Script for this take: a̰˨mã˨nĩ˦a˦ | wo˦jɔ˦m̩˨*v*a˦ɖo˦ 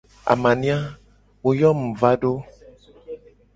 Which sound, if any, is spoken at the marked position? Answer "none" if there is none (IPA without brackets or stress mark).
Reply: v